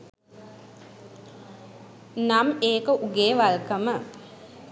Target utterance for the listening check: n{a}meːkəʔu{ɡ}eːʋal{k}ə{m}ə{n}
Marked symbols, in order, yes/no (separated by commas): yes, yes, yes, yes, no